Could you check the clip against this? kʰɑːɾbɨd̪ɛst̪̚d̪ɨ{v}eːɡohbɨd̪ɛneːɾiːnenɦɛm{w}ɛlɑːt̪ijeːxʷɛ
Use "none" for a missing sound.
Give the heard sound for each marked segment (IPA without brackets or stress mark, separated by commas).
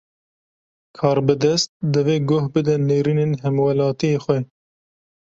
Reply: v, w